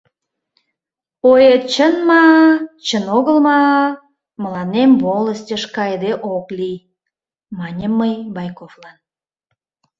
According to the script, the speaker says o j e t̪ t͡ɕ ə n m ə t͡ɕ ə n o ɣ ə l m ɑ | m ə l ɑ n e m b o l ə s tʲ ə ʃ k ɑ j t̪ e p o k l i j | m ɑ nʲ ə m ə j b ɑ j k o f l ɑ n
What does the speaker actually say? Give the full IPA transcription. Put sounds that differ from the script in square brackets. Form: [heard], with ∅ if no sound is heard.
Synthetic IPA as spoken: o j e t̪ t͡ɕ ə n m [ɑ] t͡ɕ ə n o ɣ ə l m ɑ | m ə l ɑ n e m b o l ə s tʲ ə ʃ k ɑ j [d̪] e [ʔ] o k l i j | m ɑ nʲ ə m ə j b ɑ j k o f l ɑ n